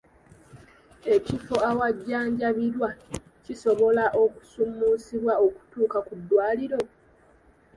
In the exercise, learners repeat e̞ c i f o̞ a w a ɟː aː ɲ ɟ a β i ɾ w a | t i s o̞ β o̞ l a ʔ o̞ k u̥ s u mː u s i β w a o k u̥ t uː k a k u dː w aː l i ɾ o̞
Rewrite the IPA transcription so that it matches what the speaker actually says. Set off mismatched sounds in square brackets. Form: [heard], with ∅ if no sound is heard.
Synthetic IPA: e̞ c i f o̞ a w a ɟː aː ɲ ɟ a β i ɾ w a | [c] i s o̞ β o̞ l a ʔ o̞ k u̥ s u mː u s i β w a o k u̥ t uː k a k u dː w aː l i ɾ o̞